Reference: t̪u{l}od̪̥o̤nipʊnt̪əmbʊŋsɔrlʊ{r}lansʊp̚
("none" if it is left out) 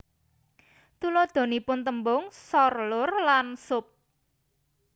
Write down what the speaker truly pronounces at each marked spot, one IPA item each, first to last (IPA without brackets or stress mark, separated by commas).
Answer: l, r